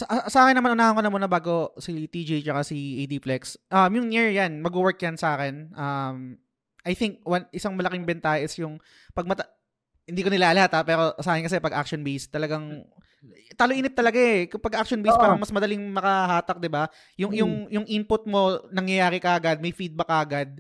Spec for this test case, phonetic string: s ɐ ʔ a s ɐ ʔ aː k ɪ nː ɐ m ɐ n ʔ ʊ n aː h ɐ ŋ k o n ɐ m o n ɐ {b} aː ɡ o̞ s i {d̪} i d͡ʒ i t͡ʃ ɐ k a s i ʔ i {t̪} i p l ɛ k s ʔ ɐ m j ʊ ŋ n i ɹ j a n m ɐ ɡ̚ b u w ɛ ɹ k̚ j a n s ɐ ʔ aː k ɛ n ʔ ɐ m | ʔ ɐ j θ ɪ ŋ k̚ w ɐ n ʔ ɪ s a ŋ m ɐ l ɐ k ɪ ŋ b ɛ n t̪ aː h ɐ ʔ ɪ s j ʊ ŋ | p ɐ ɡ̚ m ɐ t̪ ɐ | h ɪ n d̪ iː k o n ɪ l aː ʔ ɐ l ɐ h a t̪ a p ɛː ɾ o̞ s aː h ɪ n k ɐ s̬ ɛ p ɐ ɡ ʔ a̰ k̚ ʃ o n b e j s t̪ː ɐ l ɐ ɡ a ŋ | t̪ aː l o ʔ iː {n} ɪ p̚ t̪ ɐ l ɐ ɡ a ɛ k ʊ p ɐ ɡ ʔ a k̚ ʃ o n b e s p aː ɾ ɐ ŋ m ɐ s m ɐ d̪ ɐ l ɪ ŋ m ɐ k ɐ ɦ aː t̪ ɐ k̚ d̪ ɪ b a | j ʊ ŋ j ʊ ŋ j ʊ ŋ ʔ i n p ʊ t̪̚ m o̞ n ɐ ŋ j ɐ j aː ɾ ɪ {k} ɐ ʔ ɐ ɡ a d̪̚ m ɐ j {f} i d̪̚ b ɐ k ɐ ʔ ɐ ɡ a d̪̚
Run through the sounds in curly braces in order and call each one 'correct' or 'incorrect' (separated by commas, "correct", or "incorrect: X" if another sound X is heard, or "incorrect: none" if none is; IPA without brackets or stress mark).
correct, incorrect: t̪, incorrect: d̪, correct, correct, correct